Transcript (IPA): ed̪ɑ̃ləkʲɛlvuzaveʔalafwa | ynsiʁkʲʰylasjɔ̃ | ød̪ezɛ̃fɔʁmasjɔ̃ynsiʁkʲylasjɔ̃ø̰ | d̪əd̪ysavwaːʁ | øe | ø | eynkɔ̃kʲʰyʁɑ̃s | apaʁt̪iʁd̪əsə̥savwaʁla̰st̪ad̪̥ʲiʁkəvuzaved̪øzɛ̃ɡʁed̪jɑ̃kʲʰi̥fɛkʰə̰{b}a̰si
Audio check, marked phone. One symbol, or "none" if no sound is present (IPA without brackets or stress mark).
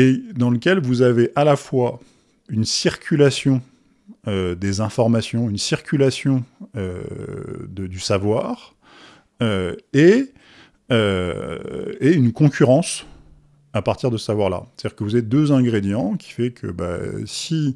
b